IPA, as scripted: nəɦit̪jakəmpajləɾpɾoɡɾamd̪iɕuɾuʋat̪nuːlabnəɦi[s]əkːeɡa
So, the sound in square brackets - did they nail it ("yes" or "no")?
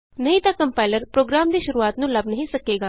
yes